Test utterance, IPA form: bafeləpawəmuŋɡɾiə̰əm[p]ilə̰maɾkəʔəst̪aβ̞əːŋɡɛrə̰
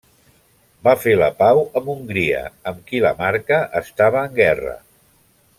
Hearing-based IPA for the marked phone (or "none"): k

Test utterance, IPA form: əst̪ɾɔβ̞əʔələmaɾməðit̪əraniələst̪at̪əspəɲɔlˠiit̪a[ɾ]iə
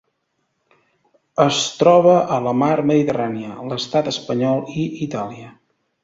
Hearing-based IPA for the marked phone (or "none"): l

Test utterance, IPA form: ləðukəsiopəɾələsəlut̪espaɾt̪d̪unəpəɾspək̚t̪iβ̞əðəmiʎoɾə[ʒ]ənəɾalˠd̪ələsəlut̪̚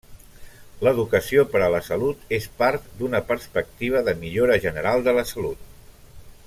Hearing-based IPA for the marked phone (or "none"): ʒ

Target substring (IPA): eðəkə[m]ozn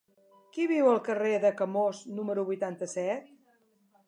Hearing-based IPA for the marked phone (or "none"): m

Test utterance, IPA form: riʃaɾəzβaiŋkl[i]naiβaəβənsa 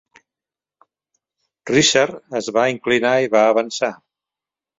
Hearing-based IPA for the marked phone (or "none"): i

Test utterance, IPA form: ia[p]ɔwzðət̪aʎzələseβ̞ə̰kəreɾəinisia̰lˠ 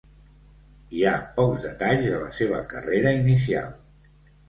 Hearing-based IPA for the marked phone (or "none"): p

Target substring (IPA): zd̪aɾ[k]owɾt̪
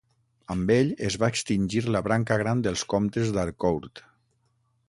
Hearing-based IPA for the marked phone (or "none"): k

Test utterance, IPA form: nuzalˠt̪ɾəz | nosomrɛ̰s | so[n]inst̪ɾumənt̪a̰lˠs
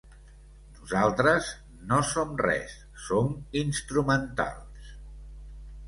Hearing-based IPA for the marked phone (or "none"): m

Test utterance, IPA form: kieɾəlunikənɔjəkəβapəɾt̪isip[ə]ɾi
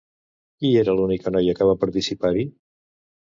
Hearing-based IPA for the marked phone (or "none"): a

